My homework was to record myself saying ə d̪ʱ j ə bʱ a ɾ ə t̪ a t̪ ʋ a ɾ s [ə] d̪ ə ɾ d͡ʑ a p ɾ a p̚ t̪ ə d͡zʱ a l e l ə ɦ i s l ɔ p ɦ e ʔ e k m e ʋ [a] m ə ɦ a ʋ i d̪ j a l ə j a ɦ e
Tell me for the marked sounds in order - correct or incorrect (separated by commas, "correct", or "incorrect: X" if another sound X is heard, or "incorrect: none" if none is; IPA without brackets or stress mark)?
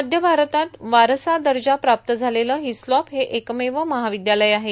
incorrect: a, incorrect: ə